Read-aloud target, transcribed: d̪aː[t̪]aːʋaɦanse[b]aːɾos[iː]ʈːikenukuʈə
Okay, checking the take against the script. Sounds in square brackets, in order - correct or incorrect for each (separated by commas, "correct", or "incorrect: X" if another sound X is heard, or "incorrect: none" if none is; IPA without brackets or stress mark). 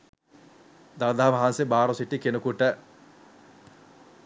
incorrect: d̪, correct, incorrect: i